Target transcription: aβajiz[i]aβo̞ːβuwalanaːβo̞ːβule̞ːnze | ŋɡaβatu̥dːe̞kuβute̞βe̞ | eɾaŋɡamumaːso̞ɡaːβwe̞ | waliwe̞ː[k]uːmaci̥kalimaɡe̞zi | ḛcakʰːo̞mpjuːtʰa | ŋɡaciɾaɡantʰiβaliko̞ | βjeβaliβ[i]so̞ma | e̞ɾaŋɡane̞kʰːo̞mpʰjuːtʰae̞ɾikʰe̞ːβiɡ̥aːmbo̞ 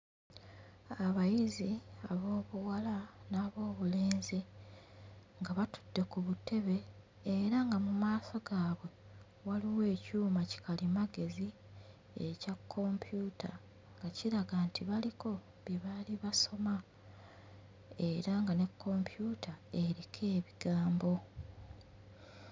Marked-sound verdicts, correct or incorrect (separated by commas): correct, incorrect, incorrect